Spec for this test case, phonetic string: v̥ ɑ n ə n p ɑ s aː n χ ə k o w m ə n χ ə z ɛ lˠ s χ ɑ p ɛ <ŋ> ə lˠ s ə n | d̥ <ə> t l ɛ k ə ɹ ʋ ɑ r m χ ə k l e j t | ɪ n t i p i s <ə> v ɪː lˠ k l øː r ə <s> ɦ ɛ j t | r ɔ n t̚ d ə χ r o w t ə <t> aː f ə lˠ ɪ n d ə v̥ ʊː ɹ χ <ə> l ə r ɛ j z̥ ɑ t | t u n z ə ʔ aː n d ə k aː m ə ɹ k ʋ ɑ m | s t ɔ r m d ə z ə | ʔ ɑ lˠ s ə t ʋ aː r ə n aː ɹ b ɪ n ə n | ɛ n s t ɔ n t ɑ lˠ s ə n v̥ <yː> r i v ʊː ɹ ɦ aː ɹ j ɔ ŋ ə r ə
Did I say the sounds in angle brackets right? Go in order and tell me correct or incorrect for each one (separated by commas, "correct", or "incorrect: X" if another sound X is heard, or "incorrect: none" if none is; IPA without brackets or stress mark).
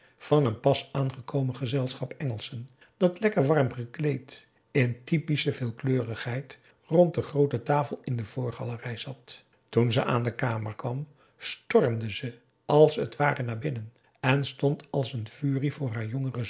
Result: correct, incorrect: ɑ, correct, incorrect: χ, correct, incorrect: ɑ, correct